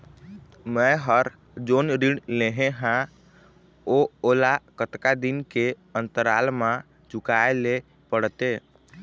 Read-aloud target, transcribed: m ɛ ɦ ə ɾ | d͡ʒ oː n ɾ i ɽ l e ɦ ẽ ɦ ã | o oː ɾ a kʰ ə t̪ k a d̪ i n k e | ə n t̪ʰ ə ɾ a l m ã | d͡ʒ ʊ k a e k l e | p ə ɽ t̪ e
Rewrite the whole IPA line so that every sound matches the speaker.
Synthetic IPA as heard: m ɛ ɦ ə ɾ | d͡ʒ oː n ɾ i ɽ l e ɦ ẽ ɦ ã | o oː l a k ə t̪ k a d̪ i n k e | ə n t̪ ə ɾ a l m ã | d͡ʒ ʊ k a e l e | p ə ɽ t̪ e